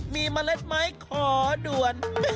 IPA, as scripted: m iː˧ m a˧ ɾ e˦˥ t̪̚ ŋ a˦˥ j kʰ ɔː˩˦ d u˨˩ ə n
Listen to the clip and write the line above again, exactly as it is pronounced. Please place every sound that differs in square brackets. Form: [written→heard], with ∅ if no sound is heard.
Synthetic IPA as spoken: m iː˧ m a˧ [ɾ→l] e˦˥ t̪̚ [ŋ→m] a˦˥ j kʰ ɔː˩˦ d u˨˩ ə n